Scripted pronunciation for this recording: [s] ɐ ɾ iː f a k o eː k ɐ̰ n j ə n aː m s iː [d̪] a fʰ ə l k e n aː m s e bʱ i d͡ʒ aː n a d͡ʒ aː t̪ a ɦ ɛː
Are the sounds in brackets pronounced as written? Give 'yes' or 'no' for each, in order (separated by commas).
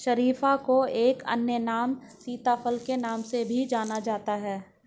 no, no